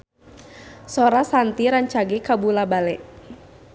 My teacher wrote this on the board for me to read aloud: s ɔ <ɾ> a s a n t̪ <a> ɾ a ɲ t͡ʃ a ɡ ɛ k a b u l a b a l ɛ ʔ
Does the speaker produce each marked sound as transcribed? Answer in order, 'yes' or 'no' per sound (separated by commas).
yes, no